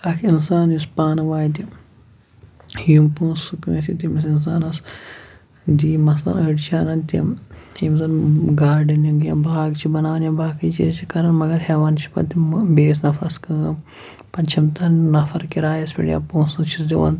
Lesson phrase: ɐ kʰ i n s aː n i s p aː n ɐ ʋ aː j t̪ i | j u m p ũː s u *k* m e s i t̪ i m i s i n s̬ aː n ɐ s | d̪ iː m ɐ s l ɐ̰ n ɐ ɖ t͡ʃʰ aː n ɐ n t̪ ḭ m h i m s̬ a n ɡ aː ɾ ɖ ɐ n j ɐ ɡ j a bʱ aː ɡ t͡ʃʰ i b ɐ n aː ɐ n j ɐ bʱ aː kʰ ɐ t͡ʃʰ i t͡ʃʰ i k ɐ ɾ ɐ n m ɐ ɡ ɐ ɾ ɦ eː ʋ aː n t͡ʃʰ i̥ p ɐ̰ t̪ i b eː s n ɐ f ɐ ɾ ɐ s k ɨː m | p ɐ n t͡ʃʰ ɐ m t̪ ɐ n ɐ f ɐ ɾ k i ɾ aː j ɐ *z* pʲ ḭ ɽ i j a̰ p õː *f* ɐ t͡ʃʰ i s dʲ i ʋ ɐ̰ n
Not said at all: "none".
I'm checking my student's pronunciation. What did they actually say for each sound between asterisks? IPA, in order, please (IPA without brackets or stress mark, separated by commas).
k, s, s